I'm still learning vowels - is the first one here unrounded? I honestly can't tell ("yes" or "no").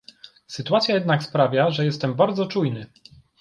yes